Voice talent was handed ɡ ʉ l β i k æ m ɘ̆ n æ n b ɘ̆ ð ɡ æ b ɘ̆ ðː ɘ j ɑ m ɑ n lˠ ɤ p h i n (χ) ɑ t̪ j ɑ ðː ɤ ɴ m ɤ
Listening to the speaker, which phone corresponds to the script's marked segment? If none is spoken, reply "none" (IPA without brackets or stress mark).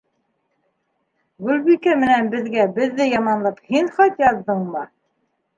χ